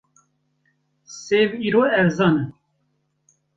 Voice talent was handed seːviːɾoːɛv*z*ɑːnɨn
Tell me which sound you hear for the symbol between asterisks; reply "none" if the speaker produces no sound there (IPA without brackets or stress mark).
z